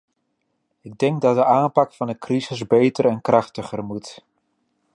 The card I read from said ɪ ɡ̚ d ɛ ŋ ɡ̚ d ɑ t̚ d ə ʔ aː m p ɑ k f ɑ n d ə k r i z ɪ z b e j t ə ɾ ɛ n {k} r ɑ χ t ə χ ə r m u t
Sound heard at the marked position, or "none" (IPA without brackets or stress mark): k